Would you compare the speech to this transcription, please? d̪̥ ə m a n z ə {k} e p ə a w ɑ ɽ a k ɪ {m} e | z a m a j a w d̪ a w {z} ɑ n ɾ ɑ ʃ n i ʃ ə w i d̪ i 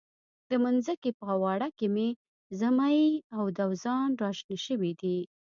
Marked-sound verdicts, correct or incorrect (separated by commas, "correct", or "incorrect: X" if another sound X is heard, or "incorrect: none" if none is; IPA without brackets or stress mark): correct, correct, correct